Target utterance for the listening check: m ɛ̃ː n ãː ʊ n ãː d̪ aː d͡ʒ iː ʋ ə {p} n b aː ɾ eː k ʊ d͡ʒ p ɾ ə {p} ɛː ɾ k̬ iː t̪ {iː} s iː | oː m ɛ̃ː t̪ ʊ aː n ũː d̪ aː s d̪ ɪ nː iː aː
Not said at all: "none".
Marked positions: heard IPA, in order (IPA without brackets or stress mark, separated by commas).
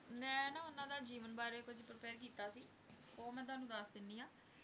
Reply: none, p, aː